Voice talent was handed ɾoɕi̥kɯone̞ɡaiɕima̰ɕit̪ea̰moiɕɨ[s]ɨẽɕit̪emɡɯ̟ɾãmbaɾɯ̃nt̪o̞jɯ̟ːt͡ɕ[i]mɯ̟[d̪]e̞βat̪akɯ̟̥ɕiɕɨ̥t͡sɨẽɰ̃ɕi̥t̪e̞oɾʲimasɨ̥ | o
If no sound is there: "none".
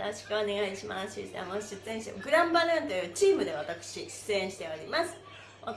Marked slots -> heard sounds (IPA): t͡s, iː, d̪

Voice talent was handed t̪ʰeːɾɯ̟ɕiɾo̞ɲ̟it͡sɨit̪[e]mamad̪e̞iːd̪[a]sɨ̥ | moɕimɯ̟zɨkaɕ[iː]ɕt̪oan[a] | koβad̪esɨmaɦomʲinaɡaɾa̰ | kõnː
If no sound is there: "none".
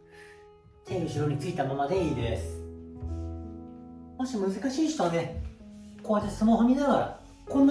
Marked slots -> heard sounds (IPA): a, e, iː, e

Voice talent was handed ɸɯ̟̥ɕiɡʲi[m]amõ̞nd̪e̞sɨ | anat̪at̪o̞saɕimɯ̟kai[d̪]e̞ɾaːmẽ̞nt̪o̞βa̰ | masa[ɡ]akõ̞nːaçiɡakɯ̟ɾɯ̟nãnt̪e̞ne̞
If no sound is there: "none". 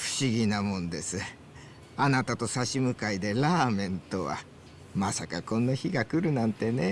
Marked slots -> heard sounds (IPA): n, d̪, k

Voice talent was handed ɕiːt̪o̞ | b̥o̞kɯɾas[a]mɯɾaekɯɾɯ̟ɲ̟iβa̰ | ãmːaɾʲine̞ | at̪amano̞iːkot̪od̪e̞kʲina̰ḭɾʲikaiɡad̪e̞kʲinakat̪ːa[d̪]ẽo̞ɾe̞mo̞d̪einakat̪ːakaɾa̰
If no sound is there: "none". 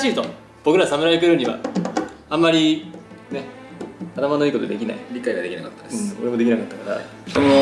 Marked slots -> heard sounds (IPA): a, d̪

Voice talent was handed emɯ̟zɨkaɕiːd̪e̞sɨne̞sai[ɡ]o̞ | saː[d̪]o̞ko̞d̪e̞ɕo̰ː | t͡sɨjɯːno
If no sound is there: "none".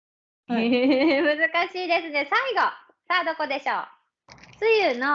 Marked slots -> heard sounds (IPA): ɡ, d̪

